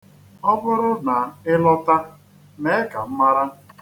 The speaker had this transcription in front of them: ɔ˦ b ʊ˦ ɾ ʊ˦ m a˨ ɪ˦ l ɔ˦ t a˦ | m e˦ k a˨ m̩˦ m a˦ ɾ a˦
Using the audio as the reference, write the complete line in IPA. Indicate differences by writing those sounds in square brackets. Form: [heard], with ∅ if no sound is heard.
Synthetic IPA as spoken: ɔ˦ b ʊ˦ ɾ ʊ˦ [n] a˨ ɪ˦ l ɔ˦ t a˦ | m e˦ k a˨ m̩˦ m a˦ ɾ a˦

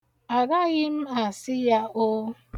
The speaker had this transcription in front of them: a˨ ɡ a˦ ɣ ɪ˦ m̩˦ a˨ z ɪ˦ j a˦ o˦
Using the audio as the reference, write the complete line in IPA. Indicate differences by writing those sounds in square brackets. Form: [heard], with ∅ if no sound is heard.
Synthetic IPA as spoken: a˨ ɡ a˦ ɣ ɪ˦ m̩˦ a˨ [s] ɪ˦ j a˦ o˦

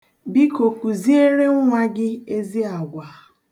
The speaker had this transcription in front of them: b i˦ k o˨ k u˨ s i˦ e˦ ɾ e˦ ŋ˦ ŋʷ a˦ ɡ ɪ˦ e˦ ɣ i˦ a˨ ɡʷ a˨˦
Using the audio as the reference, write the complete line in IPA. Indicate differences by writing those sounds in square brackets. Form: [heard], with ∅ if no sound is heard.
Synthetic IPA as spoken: b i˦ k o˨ k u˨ [z] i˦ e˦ ɾ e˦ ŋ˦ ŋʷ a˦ ɡ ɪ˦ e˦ [z] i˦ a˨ ɡʷ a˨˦

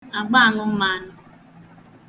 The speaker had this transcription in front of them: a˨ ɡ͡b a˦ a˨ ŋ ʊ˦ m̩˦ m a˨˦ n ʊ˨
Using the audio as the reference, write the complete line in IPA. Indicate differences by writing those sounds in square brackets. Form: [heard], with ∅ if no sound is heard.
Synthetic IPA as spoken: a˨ ɡ͡b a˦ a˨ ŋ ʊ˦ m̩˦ m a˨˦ n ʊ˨

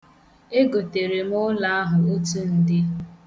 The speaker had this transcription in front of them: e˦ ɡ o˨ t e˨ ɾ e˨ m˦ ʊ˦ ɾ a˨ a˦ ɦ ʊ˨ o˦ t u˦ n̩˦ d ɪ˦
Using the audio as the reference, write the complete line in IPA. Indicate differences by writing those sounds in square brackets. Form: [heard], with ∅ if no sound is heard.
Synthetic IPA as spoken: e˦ ɡ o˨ t e˨ ɾ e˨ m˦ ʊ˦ [l] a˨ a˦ ɦ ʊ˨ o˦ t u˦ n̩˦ d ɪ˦

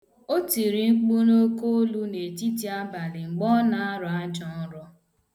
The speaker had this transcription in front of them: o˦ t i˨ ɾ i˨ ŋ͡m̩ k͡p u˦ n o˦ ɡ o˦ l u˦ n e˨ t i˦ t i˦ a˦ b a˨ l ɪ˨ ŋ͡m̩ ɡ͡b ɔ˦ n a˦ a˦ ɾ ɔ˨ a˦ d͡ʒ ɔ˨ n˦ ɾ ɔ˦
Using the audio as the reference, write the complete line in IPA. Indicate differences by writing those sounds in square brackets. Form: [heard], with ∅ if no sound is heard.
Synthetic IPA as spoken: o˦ t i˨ ɾ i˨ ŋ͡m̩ k͡p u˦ n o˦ [k] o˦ l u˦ n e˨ t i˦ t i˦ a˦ b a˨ l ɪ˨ ŋ͡m̩ ɡ͡b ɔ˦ n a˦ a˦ ɾ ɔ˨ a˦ d͡ʒ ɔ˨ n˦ ɾ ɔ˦

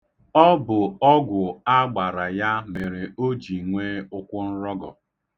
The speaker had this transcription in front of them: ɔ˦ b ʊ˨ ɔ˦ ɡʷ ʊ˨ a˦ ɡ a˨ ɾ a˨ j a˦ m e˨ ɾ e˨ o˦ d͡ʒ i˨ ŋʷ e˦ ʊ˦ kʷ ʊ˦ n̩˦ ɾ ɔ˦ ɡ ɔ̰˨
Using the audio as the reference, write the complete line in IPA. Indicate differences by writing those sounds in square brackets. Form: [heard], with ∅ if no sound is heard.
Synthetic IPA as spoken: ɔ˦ b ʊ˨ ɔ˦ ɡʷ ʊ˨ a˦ [ɡ͡b] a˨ ɾ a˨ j a˦ m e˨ ɾ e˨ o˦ d͡ʒ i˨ ŋʷ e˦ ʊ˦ kʷ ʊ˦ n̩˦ ɾ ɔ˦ ɡ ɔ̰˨

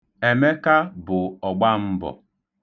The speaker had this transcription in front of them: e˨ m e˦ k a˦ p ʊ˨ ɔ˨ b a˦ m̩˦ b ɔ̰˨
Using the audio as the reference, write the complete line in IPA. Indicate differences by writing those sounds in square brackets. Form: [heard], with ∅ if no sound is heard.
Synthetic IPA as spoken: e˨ m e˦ k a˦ [b] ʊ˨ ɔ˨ [ɡ͡b] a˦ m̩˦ b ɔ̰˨

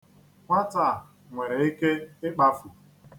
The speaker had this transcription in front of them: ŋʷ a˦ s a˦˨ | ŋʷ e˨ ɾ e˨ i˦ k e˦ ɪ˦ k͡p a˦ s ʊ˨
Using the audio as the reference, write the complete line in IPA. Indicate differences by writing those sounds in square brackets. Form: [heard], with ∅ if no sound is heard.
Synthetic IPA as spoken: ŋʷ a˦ [t] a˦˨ | ŋʷ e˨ ɾ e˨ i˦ k e˦ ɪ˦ k͡p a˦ [f] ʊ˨

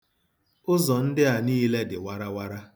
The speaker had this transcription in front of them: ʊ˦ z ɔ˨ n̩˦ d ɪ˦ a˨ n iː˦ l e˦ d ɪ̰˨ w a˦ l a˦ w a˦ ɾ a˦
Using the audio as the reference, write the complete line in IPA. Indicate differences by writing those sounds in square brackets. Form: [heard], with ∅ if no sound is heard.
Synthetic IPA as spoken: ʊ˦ z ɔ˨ n̩˦ d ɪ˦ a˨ n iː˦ l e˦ d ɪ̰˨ w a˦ [ɾ] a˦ w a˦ ɾ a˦

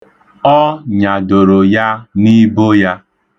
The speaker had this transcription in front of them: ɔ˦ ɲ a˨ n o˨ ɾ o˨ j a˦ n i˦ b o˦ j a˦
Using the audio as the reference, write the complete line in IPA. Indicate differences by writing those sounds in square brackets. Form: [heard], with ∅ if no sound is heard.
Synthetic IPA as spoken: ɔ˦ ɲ a˨ [d] o˨ ɾ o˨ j a˦ n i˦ b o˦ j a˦

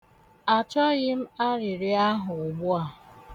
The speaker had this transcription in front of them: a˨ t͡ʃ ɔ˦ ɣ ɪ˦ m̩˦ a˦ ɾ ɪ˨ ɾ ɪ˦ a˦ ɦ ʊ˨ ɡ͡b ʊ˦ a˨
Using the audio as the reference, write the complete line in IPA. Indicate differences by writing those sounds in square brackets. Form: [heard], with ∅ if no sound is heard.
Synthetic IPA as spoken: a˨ t͡ʃ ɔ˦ ɣ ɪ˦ m̩˦ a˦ ɾ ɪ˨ ɾ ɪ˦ a˦ ɦ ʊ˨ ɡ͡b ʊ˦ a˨

